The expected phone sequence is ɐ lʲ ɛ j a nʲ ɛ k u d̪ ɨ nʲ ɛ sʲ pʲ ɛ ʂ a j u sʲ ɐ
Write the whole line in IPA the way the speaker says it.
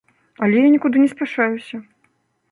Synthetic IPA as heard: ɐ lʲ ɛ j a nʲ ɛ k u d̪ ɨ nʲ ɛ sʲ pʲ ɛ ʂ a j u sʲ ɐ